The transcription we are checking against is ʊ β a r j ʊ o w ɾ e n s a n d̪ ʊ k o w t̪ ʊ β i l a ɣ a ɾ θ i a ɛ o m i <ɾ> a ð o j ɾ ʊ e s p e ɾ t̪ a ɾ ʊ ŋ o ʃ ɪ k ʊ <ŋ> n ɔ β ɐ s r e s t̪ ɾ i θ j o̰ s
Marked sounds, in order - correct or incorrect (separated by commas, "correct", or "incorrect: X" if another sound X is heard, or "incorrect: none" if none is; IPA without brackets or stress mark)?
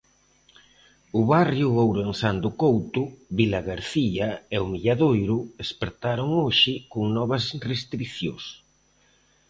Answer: incorrect: ʎ, correct